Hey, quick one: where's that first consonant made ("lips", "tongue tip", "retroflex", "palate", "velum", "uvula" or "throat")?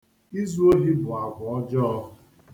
tongue tip